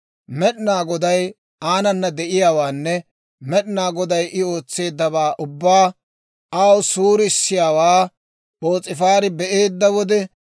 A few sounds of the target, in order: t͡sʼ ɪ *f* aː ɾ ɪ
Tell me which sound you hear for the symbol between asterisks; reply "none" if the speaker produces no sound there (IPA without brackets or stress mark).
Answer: f